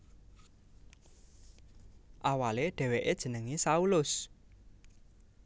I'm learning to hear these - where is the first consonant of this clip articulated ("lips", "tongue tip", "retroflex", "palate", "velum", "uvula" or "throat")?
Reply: throat